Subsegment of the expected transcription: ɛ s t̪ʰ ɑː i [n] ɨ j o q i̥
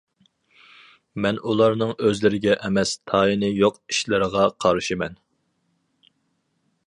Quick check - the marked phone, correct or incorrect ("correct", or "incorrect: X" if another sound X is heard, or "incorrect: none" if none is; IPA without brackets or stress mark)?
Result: correct